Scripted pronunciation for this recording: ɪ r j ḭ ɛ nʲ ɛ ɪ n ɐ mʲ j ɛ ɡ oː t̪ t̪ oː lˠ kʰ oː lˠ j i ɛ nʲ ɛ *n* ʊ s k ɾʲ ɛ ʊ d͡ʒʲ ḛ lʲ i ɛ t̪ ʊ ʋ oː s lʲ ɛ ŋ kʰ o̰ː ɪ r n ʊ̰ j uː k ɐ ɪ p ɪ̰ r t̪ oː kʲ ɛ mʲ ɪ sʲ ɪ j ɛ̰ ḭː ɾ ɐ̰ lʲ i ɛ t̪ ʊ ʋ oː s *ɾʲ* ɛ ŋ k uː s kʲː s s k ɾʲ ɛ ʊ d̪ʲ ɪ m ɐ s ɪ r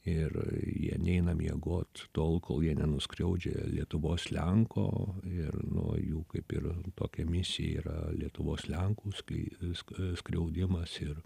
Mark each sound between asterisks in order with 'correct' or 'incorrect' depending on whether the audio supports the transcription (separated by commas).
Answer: correct, incorrect